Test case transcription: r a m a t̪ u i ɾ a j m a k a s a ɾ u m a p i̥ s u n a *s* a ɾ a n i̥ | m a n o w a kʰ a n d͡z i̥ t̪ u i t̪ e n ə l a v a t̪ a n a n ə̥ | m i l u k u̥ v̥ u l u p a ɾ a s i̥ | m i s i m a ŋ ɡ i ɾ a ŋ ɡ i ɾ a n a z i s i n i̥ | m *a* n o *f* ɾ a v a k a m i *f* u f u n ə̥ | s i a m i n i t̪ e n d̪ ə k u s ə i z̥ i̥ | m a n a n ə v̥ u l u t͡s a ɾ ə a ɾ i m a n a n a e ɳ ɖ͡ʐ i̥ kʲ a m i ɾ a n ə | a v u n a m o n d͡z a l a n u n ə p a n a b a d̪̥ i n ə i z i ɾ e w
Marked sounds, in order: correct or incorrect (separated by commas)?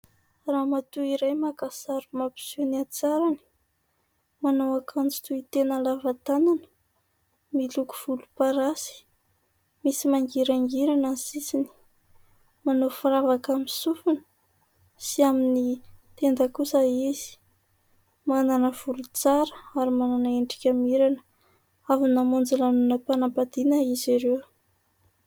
incorrect, correct, correct, incorrect